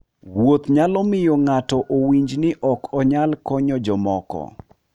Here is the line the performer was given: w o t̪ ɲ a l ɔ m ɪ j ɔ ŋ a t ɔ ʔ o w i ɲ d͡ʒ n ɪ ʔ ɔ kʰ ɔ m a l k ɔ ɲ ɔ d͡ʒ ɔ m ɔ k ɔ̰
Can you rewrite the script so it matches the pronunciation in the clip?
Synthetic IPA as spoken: w o t̪ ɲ a l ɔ m ɪ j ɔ ŋ a t ɔ ʔ o w i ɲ d͡ʒ n ɪ ʔ ɔ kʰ ɔ ɲ a l k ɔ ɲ ɔ d͡ʒ ɔ m ɔ k ɔ̰